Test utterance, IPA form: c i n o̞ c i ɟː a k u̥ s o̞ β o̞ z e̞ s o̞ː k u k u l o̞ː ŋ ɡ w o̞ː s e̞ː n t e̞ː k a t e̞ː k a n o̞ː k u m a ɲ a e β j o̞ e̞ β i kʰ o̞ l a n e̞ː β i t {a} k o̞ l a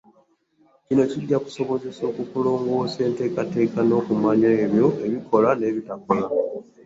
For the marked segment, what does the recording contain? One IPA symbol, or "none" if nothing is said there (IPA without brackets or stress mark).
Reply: a